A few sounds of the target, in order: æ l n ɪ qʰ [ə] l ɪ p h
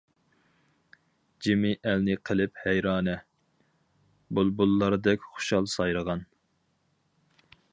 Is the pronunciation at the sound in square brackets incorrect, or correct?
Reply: correct